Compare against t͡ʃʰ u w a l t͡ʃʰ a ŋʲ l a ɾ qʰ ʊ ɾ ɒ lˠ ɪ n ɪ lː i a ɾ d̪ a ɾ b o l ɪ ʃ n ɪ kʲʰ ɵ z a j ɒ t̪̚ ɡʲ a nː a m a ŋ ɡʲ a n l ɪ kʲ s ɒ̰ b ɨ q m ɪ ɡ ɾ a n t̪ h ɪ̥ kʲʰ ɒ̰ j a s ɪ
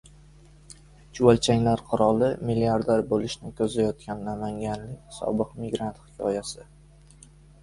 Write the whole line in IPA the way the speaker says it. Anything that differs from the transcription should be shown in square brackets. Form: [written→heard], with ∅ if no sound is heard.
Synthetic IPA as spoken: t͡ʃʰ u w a l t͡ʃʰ a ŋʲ l a ɾ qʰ ʊ ɾ ɒ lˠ ɪ [n→m] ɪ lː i a ɾ d̪ a ɾ b o l ɪ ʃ n ɪ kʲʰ ɵ z a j ɒ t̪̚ [ɡʲ→kʲ] a nː a m a ŋ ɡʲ a n l ɪ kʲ s ɒ̰ b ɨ q m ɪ ɡ ɾ a n t̪ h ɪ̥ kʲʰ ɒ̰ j a s ɪ